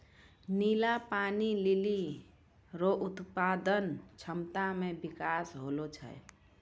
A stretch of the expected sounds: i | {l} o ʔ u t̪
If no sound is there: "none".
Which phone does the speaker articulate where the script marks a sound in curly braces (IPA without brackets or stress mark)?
ɾ